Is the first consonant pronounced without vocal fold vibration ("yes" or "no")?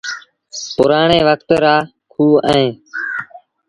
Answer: yes